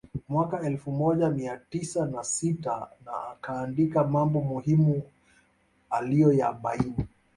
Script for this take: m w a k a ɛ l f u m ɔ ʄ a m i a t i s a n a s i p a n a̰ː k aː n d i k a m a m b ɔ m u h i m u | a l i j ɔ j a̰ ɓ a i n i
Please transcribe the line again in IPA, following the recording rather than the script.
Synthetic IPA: m w a k a ɛ l f u m ɔ ʄ a m i a t i s a n a s i t a n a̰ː k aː n d i k a m a m b ɔ m u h i m u | a l i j ɔ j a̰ ɓ a i n i